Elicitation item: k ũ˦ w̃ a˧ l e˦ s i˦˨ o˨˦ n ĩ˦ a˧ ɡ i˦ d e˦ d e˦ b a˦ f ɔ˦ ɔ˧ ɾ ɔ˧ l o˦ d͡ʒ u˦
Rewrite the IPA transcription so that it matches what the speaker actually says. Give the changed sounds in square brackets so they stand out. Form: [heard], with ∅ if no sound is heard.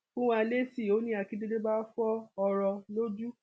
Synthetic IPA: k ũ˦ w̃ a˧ l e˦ s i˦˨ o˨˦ n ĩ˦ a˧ [k] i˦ d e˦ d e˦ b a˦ f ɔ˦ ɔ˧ ɾ ɔ˧ l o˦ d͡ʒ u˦